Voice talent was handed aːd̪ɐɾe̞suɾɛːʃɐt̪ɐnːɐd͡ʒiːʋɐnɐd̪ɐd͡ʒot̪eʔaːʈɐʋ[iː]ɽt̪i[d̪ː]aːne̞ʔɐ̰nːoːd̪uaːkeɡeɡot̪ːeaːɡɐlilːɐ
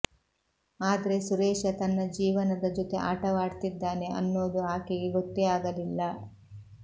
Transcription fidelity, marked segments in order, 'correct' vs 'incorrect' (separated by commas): incorrect, correct